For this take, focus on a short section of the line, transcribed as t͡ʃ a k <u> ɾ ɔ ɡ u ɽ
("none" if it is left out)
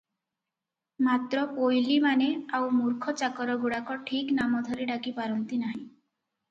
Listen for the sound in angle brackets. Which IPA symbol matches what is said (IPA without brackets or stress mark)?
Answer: ɔ